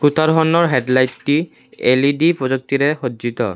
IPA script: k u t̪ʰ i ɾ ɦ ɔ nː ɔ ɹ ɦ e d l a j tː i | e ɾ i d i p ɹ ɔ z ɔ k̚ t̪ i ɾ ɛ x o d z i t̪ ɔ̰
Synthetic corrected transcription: k u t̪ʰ a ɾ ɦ ɔ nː ɔ ɹ ɦ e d l a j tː i | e l i d i p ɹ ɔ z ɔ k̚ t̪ i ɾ ɛ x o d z i t̪ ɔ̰